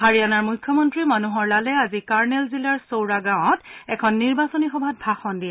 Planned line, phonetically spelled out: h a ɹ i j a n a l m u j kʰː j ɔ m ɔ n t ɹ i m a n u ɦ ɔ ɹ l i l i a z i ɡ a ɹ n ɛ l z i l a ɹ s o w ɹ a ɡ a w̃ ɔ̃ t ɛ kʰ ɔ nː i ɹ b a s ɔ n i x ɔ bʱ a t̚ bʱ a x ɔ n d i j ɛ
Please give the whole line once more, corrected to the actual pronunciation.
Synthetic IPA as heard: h a ɹ i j a n a ɹ m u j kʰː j ɔ m ɔ n t ɹ i m a n u ɦ ɔ ɹ l a l ɛ a z i k a ɹ n ɛ l z i l a ɹ s o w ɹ a ɡ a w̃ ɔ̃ t ɛ kʰ ɔ nː i ɹ b a s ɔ n i x ɔ bʱ a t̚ bʱ a x ɔ n d i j ɛ